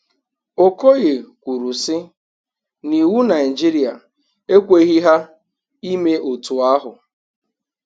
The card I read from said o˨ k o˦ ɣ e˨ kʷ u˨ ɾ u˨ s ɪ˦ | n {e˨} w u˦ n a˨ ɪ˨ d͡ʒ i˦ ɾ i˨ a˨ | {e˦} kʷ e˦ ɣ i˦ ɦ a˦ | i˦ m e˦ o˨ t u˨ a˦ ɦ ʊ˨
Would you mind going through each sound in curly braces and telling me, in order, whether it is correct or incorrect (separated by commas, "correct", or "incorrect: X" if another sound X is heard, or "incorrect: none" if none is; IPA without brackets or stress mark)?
incorrect: i˨, correct